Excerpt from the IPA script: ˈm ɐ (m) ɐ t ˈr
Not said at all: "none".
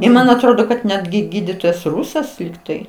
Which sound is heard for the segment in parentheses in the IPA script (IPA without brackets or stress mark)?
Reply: n